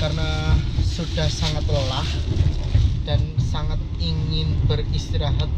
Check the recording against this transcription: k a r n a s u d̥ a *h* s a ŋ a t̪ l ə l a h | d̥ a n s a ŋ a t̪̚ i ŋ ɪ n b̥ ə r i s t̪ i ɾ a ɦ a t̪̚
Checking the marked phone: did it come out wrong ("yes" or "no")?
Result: no